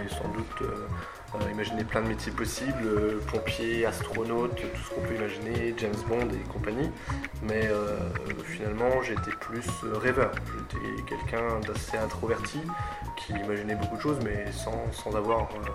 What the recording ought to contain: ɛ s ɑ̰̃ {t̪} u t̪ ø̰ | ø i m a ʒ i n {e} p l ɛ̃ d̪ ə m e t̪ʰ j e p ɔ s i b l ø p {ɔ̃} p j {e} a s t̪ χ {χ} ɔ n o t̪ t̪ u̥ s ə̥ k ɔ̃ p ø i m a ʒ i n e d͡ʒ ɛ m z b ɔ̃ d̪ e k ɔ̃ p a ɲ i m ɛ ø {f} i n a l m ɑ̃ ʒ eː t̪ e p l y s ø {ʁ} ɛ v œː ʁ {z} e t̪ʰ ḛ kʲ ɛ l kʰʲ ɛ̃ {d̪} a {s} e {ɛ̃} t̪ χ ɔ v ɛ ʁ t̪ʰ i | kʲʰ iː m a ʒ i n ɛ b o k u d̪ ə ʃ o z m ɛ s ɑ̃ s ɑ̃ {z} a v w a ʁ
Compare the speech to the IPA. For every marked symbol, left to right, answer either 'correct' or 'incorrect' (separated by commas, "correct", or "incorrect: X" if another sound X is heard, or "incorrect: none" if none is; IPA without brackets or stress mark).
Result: incorrect: d̪, correct, correct, correct, correct, correct, correct, incorrect: ʒ, correct, correct, correct, correct